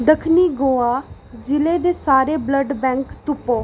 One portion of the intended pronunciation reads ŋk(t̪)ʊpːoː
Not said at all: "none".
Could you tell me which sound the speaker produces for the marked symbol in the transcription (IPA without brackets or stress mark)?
t̪